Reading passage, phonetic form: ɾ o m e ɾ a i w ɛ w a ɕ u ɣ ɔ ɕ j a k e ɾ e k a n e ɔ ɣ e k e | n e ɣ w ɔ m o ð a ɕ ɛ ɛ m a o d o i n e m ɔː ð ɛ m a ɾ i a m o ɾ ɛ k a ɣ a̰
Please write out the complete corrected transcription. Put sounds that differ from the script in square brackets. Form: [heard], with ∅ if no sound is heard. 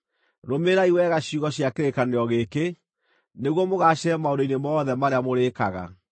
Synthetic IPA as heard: ɾ o m e ɾ a i w ɛ [ɣ] a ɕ u ɣ ɔ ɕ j a k e ɾ e k a n e ɔ ɣ e k e | n e ɣ w ɔ m o [ɣ] a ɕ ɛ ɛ m a o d o i n e m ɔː ð ɛ m a ɾ [e] a m o ɾ [e] k a ɣ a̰